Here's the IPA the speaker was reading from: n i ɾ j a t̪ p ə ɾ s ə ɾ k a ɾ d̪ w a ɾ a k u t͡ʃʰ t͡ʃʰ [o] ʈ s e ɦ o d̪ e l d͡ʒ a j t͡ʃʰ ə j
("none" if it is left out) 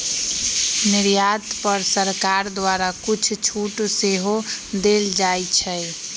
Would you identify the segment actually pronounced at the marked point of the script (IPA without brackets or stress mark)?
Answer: u